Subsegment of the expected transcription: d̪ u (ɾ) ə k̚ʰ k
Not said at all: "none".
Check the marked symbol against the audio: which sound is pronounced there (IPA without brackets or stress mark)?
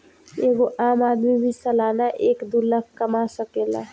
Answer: l